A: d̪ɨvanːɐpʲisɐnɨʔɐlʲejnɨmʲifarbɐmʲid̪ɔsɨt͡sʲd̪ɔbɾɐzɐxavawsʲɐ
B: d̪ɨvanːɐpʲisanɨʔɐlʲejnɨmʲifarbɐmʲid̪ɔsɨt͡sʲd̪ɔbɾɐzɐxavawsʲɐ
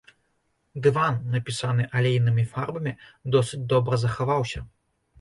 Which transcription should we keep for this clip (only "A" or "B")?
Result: B